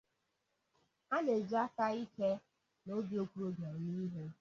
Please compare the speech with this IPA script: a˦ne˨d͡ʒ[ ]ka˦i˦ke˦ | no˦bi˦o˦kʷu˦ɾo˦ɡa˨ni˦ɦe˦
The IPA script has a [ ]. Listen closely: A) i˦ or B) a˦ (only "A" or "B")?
B